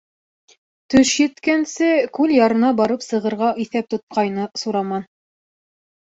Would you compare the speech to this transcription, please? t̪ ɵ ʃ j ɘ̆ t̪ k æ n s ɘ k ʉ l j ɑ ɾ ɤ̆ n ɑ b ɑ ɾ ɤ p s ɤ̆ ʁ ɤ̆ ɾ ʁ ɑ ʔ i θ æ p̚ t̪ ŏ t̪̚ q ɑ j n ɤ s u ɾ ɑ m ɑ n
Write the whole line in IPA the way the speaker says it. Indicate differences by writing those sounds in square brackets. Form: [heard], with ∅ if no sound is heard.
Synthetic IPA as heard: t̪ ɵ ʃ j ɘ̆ t̪ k æ n s ɘ k ʉ l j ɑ ɾ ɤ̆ n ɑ b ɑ ɾ ɤ p s ɤ̆ ʁ ɤ̆ ɾ ʁ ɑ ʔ i θ æ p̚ t̪ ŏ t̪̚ q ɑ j n ɤ s u ɾ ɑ m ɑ n